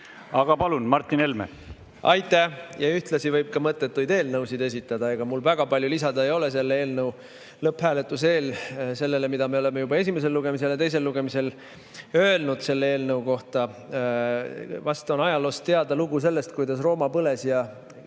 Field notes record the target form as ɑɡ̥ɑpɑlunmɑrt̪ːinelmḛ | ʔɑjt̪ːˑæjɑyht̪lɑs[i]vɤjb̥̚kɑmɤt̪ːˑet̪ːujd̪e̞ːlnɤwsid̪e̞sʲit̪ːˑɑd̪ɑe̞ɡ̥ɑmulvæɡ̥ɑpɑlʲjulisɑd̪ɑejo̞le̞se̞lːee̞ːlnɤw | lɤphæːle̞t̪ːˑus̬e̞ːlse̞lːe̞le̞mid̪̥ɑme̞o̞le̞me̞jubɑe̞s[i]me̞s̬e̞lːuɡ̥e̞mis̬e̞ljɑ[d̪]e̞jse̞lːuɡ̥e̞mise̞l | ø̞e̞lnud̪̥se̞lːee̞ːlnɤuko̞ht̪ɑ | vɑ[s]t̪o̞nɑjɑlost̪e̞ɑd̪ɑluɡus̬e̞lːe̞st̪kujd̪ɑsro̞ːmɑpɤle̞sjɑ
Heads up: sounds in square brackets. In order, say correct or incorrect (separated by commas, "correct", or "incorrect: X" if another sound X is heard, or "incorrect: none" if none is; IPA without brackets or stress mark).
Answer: correct, correct, incorrect: t̪, correct